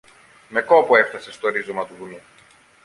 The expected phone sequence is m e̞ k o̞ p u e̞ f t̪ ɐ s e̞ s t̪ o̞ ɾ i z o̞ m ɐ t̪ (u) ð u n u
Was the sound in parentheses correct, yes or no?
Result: yes